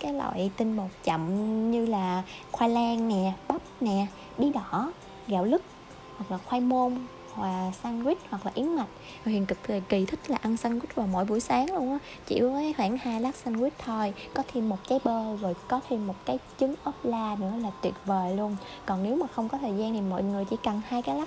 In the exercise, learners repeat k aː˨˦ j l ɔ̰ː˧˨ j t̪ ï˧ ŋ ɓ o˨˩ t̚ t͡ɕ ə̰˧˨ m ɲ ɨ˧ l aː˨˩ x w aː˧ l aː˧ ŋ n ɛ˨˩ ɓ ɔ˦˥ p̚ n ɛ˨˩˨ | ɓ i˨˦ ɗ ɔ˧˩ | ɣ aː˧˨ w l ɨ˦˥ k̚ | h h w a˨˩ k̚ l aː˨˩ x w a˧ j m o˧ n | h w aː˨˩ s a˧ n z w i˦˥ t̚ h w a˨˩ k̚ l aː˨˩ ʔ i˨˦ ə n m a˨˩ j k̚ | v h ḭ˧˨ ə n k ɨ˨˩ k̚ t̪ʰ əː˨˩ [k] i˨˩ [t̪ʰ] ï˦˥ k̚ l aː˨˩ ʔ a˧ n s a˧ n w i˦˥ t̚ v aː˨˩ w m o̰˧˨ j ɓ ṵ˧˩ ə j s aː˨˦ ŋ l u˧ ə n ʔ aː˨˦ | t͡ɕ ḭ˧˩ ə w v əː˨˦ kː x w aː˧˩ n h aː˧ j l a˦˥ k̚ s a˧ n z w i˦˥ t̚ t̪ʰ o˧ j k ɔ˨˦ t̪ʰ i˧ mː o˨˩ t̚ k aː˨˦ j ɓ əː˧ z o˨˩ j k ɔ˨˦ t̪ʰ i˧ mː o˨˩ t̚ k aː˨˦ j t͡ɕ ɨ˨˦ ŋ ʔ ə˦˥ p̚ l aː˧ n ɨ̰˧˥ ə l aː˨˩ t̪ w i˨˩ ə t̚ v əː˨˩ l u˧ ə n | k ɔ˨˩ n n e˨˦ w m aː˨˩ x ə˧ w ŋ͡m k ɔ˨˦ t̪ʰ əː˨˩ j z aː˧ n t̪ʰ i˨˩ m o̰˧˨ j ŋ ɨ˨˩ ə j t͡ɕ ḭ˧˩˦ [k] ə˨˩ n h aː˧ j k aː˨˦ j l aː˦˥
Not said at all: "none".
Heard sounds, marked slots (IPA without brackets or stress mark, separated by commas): k, t̪ʰ, k